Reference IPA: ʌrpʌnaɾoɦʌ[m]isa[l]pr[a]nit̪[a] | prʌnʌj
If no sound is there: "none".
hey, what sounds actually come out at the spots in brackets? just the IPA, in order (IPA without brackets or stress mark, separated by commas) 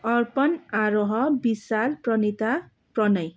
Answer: b, l, ʌ, a